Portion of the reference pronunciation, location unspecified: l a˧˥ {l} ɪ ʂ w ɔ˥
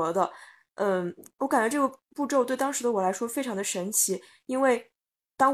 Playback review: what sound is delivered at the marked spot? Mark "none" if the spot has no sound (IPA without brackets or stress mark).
none